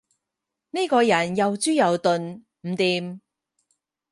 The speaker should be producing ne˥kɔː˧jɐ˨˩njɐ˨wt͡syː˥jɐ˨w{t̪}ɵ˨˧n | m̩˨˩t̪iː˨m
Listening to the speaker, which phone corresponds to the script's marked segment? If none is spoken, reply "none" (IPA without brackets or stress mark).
t̪